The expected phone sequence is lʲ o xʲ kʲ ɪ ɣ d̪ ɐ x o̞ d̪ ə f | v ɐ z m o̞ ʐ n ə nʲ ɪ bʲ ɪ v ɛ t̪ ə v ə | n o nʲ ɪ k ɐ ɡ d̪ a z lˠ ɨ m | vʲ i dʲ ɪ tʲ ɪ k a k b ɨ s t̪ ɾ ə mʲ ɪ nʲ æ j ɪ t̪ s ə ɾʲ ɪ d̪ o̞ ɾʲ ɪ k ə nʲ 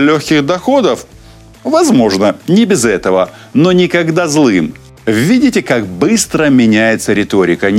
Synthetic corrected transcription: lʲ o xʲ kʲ ɪ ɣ d̪ ɐ x o̞ d̪ ə f | v ɐ z m o̞ ʐ n ə nʲ ɪ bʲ ɪ z ɛ t̪ ə v ə | n o nʲ ɪ k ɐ ɡ d̪ a z lˠ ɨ m | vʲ i dʲ ɪ tʲ ɪ k a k b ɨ s t̪ ɾ ə mʲ ɪ nʲ æ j ɪ t̪ s ə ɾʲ ɪ t̪ o̞ ɾʲ ɪ k ə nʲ